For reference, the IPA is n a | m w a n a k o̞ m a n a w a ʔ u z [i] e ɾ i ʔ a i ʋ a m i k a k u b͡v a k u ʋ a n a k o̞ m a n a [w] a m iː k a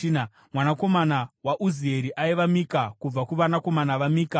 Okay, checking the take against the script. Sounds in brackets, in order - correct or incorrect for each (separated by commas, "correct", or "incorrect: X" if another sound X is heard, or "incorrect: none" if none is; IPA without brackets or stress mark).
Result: correct, incorrect: ʋ